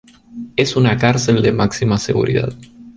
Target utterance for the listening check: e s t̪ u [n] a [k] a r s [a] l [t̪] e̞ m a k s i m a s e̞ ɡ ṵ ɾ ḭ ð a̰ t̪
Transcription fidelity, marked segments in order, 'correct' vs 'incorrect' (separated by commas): correct, correct, incorrect, incorrect